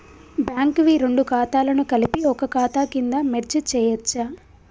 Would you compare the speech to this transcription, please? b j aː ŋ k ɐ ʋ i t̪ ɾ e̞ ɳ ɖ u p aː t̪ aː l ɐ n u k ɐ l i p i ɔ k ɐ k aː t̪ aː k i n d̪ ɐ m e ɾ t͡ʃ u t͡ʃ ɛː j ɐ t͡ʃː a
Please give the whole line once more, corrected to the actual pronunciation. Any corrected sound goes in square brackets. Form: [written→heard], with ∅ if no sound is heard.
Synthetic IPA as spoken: b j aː ŋ k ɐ ʋ i [t̪→∅] ɾ e̞ ɳ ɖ u [p→k] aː t̪ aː l ɐ n u k ɐ l i p i ɔ k ɐ k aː t̪ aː k i n d̪ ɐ m e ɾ t͡ʃ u t͡ʃ ɛː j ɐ t͡ʃː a